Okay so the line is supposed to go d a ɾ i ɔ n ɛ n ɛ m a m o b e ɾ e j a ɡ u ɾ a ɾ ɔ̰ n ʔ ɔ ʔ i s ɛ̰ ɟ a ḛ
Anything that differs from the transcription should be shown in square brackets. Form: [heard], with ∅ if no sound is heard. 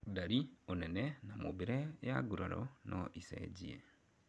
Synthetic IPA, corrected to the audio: d a ɾ i [o] n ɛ n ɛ [n] a m o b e ɾ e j a ɡ u ɾ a ɾ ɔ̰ n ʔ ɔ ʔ i s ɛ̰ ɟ [i] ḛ